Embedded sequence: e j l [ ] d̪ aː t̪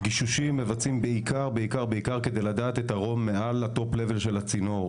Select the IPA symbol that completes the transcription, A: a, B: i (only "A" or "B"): A